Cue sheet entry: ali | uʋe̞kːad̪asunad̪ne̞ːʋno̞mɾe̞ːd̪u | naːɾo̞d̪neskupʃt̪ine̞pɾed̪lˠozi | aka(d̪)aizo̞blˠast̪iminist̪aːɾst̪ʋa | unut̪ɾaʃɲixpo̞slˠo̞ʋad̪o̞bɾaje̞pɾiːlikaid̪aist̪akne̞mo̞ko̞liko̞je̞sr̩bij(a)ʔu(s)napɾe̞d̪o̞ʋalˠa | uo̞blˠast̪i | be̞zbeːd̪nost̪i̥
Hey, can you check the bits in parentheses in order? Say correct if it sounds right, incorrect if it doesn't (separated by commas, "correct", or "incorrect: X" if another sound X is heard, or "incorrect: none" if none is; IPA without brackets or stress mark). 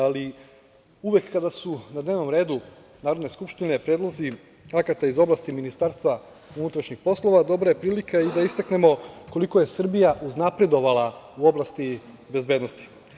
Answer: incorrect: t̪, correct, incorrect: z